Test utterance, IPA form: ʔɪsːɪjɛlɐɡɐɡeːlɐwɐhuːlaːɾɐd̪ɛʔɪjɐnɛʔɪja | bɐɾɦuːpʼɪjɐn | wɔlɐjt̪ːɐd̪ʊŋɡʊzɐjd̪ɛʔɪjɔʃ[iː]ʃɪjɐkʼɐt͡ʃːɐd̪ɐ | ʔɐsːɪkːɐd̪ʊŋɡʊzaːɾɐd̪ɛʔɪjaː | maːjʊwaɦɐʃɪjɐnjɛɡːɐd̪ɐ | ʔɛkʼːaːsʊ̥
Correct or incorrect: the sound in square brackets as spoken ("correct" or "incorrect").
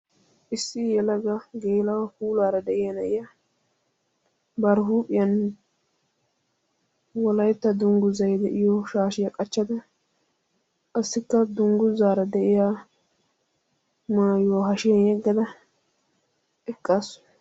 incorrect